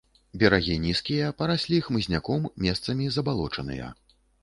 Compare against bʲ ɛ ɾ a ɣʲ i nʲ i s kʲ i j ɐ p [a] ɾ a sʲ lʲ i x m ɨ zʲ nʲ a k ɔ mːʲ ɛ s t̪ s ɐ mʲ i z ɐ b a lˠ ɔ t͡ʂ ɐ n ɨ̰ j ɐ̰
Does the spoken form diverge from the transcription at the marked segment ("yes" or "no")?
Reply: yes